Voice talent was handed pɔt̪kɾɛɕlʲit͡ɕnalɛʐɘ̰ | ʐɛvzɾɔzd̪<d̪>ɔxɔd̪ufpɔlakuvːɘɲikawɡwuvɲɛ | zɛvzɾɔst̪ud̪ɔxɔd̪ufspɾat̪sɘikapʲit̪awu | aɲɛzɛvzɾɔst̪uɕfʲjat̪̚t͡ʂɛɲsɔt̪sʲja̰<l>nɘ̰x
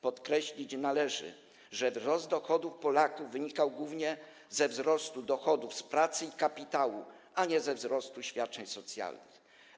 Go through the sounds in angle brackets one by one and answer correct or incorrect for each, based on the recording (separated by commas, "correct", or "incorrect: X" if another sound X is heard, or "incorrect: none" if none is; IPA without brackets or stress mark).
correct, correct